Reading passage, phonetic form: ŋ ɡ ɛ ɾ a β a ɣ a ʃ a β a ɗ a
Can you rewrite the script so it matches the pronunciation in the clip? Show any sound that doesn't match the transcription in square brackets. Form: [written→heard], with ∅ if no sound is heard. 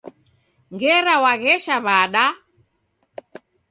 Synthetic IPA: ŋ ɡ ɛ ɾ a [β→w] a ɣ [a→ɛ] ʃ a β a ɗ a